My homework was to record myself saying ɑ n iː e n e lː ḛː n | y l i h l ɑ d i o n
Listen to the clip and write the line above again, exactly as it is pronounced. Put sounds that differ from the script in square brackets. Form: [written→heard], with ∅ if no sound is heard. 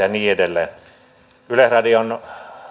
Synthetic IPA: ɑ n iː e [n→d] e lː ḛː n | y l [i→e] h [l→r] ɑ d i o n